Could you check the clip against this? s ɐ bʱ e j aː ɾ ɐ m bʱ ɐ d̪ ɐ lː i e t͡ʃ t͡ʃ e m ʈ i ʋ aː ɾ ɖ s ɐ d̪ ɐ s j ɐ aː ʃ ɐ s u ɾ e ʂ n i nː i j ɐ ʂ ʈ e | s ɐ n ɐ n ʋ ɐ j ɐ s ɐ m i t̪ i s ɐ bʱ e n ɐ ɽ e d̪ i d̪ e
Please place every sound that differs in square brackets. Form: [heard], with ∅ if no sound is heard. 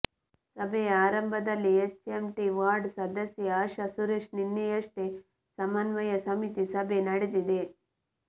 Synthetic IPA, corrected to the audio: s ɐ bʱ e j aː ɾ ɐ m bʱ ɐ d̪ ɐ lː i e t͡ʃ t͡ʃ e m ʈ i ʋ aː ɾ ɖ s ɐ d̪ ɐ s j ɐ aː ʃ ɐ s u ɾ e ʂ n i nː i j ɐ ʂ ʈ e | s ɐ [m] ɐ n ʋ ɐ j ɐ s ɐ m i t̪ i s ɐ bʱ e n ɐ ɽ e d̪ i d̪ e